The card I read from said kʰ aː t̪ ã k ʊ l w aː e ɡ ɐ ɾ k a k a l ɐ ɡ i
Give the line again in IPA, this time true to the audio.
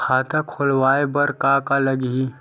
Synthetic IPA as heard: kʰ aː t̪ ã kʰ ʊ l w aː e b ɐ ɾ k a k a l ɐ ɡ i